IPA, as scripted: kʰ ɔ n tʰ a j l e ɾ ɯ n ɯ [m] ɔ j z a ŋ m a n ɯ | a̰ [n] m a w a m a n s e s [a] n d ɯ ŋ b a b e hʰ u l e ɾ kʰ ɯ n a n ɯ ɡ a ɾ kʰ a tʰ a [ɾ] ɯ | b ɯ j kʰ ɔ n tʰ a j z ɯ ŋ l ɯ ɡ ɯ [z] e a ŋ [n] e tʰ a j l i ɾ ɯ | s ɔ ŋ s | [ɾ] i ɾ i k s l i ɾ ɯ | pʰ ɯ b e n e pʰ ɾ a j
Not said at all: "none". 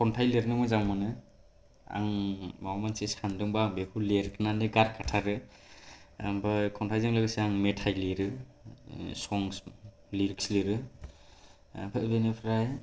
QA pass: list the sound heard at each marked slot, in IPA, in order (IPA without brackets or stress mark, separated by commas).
m, ŋ, a, ɾ, s, m, l